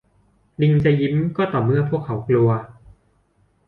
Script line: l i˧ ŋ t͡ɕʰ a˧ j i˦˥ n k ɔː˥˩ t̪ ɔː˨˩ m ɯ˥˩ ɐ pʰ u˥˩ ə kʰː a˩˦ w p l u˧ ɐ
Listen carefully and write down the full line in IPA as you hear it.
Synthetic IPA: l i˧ ŋ t͡ɕ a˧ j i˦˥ m k ɔː˥˩ t̪ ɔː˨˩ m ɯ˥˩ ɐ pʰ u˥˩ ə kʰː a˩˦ w k l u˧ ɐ